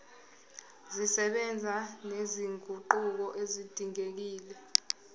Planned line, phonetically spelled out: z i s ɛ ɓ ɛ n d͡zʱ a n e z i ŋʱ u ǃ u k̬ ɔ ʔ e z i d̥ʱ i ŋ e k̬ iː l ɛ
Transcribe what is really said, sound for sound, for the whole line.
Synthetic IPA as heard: z i s ɛ ɓ ɛ n d͡zʱ a n e z i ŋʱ u ǃ u k̬ ɔ ʔ e z i d̥ʱ i ŋ e k̬ iː l ɛ